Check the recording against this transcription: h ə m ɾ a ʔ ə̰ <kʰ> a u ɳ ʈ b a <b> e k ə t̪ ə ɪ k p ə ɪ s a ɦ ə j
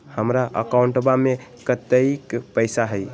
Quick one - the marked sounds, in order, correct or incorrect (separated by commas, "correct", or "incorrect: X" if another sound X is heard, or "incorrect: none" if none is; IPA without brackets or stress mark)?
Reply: incorrect: k, incorrect: m